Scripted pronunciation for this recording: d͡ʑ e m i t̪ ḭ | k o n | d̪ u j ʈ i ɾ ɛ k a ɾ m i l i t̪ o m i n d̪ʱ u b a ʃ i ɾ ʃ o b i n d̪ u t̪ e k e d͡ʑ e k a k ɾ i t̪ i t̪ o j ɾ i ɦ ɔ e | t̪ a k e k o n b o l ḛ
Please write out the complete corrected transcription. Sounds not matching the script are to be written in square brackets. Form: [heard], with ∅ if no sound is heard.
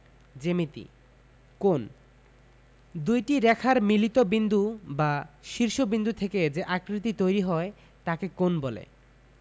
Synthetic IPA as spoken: d͡ʑ e m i t̪ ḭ | k o n | d̪ u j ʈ i ɾ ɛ [kʰ] a ɾ m i l i t̪ o [b] i n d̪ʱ u b a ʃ i ɾ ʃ o b i n d̪ u [t̪ʰ] e k e d͡ʑ e [ʔ] a k ɾ i t̪ i t̪ o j ɾ i ɦ ɔ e | t̪ a k e k o n b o l ḛ

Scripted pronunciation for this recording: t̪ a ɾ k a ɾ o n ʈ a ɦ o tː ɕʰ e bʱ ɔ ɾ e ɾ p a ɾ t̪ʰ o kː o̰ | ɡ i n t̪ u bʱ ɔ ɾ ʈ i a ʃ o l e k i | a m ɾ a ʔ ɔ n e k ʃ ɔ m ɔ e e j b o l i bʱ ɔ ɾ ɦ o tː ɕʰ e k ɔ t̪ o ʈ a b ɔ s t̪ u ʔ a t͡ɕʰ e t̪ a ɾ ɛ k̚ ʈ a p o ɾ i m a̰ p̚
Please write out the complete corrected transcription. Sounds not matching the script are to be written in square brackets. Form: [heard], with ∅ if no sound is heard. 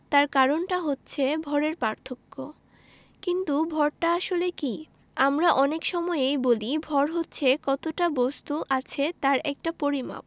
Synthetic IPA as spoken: t̪ a ɾ k a ɾ o n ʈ a ɦ o tː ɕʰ e bʱ ɔ ɾ e ɾ p a ɾ t̪ʰ o kː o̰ | [k] i n t̪ u bʱ ɔ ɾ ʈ [a] a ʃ o l e k i | a m ɾ a ʔ ɔ n e k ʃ ɔ m ɔ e e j b o l i bʱ ɔ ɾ ɦ o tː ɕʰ e k ɔ t̪ o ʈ a b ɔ s t̪ u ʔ a t͡ɕʰ e t̪ a ɾ ɛ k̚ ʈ a p o ɾ i m a̰ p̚

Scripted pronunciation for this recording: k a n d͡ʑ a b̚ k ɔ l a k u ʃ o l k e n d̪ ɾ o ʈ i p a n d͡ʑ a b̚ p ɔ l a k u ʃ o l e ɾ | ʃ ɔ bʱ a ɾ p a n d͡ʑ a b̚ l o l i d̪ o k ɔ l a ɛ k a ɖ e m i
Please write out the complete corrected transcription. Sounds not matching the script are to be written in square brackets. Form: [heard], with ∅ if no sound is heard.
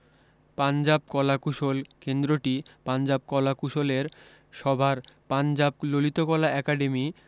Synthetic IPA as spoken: [p] a n d͡ʑ a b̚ k ɔ l a k u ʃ o l k e n d̪ ɾ o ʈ i p a n d͡ʑ a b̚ [k] ɔ l a k u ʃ o l e ɾ | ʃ ɔ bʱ a ɾ p a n d͡ʑ a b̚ l o l i [t̪] o k ɔ l a ɛ k a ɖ e m i

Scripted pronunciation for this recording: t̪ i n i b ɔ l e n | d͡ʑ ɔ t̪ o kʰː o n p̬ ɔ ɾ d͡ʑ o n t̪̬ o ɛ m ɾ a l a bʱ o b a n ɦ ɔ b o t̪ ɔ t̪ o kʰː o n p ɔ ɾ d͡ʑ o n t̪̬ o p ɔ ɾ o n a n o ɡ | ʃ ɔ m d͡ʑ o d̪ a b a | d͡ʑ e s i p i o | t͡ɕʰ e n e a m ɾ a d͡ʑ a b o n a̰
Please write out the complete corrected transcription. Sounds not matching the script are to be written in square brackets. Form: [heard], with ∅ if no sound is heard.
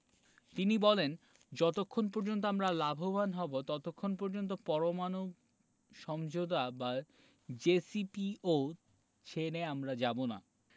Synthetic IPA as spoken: t̪ i n i b ɔ l e n | d͡ʑ ɔ t̪ o kʰː o n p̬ ɔ ɾ d͡ʑ o n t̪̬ o [a] m ɾ a l a bʱ o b a n ɦ ɔ b o t̪ ɔ t̪ o kʰː o n p ɔ ɾ d͡ʑ o n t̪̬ o p ɔ ɾ o [m] a n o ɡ | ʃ ɔ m d͡ʑ o d̪ a b a | d͡ʑ e s i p i o | t͡ɕʰ e n e a m ɾ a d͡ʑ a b o n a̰

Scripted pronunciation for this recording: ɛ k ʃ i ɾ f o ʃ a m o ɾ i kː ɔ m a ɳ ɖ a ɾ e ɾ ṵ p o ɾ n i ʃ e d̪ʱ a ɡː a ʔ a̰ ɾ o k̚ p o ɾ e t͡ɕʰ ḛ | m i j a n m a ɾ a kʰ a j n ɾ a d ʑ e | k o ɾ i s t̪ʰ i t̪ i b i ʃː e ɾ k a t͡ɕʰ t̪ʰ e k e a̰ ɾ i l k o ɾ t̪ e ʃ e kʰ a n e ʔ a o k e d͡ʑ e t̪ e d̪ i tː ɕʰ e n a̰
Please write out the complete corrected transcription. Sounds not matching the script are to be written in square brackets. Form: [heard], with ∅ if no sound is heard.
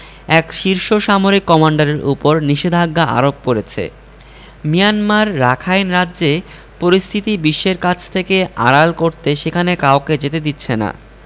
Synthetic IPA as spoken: ɛ k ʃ i ɾ [ʃ] o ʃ a m o ɾ i kː ɔ m a ɳ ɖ a ɾ e ɾ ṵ p o ɾ n i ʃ e d̪ʱ a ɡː a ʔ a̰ ɾ o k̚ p o ɾ e t͡ɕʰ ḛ | m i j a n m a [ɾː] a kʰ a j n ɾ a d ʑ e | [p] o ɾ i s t̪ʰ i t̪ i b i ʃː e ɾ k a t͡ɕʰ t̪ʰ e k e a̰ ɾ [a] l k o ɾ t̪ e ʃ e kʰ a n e [k] a o k e d͡ʑ e t̪ e d̪ i tː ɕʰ e n a̰

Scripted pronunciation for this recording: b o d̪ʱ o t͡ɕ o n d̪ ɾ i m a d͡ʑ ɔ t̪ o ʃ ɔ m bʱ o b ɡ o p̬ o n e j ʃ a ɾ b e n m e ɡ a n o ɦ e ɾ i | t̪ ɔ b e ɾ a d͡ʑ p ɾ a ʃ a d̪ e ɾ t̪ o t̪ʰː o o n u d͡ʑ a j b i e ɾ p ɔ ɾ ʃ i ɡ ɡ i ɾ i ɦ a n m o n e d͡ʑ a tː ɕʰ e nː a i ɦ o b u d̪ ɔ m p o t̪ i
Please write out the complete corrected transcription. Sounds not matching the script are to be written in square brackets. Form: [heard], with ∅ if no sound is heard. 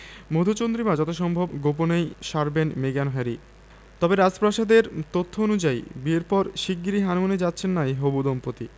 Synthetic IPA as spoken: [m] o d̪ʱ o t͡ɕ o n d̪ ɾ i m a d͡ʑ ɔ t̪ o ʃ ɔ m bʱ o b ɡ o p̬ o n e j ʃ a ɾ b e n m e ɡ a n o ɦ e ɾ i | t̪ ɔ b e ɾ a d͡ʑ p ɾ a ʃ a d̪ e ɾ t̪ o t̪ʰː o o n u d͡ʑ a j b i e ɾ p ɔ ɾ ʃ i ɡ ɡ i ɾ i ɦ a n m o n e d͡ʑ a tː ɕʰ e nː a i ɦ o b u d̪ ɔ m p o t̪ i

